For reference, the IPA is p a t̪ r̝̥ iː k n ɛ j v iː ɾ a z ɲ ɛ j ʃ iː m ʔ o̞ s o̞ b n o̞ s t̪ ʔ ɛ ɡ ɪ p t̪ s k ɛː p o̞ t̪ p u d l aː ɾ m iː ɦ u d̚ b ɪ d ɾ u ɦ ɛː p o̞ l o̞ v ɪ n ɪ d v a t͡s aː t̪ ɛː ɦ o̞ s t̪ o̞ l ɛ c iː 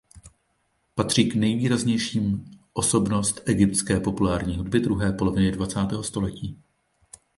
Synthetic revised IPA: p a t̪ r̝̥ iː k n ɛ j v iː ɾ a z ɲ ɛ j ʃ iː m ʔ o̞ s o̞ b n o̞ s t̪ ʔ ɛ ɡ ɪ p t̪ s k ɛː p o̞ p u l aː ɾ ɲ iː ɦ u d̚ b ɪ d ɾ u ɦ ɛː p o̞ l o̞ v ɪ n ɪ d v a t͡s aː t̪ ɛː ɦ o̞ s t̪ o̞ l ɛ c iː